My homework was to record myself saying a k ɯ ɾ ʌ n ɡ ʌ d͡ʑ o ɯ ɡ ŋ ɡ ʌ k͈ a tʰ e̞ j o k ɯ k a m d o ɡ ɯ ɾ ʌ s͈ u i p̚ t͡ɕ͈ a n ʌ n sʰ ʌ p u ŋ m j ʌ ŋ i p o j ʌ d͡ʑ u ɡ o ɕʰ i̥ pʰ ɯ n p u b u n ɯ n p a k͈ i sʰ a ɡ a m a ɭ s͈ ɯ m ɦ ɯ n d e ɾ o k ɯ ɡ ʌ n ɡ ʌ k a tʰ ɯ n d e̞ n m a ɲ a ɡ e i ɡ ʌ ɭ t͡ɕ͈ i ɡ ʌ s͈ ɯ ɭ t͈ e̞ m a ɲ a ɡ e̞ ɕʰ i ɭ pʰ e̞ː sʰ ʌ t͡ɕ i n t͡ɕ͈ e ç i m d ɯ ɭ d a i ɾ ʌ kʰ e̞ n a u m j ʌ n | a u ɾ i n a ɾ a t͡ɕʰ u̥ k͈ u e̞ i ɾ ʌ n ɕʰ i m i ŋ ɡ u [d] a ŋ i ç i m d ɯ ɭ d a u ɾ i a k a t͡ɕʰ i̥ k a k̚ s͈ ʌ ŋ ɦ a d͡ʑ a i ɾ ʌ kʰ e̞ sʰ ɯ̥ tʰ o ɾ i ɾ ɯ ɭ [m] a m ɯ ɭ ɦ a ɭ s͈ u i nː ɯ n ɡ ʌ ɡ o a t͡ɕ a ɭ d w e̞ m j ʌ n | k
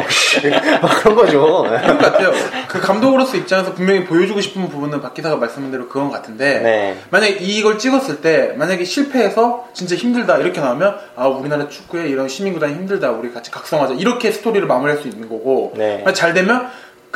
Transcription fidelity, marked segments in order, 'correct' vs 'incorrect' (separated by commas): correct, correct